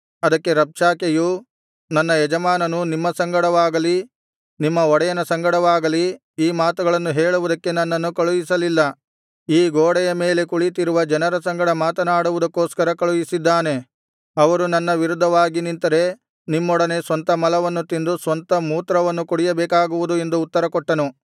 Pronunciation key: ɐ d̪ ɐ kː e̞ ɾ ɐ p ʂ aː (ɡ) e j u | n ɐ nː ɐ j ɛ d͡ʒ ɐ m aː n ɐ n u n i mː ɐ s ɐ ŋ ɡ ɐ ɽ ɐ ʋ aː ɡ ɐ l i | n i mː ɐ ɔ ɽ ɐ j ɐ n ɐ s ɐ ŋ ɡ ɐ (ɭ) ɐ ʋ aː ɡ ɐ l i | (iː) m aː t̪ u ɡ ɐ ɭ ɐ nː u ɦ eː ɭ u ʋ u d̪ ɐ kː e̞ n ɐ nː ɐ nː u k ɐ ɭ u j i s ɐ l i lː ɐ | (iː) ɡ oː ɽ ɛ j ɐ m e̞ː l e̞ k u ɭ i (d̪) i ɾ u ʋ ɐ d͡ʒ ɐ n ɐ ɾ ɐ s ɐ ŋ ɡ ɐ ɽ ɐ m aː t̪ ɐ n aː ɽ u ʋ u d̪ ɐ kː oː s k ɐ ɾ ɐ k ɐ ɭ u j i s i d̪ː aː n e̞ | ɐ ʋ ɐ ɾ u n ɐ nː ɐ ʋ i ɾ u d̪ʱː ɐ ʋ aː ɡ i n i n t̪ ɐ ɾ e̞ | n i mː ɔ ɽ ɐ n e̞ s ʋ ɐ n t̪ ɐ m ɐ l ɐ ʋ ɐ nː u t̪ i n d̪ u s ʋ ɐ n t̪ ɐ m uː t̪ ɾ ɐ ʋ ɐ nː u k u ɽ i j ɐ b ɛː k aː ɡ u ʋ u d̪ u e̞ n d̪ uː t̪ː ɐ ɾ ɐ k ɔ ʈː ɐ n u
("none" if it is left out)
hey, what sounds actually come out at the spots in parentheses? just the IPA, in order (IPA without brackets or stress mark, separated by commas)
k, ɽ, iː, iː, t̪